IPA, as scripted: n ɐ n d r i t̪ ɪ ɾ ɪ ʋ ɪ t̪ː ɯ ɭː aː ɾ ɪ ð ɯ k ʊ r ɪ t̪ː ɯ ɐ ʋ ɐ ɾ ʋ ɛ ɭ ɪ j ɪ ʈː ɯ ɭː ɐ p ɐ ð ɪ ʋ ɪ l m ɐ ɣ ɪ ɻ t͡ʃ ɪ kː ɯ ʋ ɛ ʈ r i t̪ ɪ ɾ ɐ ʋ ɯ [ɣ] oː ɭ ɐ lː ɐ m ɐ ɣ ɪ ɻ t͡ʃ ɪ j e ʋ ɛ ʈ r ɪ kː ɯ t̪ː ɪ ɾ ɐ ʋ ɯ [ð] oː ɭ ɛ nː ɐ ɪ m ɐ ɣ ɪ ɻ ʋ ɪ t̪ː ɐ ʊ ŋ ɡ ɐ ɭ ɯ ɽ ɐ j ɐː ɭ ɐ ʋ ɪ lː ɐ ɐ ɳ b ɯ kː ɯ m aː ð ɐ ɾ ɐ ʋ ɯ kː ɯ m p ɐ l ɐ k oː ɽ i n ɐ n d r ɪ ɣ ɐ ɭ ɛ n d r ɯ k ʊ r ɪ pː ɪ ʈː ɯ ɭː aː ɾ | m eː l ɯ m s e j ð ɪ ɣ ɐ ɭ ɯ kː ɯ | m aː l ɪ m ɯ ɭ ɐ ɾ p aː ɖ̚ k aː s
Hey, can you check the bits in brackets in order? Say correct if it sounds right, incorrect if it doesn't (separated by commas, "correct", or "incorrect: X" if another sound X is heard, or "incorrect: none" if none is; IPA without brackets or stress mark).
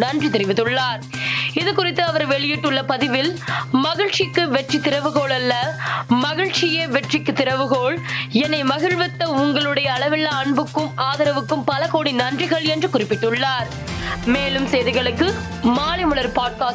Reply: correct, incorrect: ɣ